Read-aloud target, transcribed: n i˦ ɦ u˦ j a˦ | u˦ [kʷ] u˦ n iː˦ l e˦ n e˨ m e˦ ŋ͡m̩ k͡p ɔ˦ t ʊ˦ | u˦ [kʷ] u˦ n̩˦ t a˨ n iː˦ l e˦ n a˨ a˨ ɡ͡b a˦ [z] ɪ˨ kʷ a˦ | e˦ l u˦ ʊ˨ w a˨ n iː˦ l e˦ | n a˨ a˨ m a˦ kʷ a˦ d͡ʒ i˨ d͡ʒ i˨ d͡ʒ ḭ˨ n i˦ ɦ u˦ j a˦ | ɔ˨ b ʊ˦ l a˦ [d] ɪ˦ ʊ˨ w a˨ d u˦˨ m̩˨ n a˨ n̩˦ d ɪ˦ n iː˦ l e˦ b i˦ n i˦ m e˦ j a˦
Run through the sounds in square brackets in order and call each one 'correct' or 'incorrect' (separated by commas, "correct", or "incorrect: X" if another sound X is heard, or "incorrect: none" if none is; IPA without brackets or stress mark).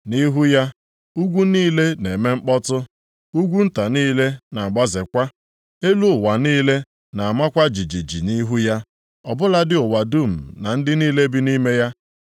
incorrect: ɡʷ, incorrect: ɡʷ, correct, correct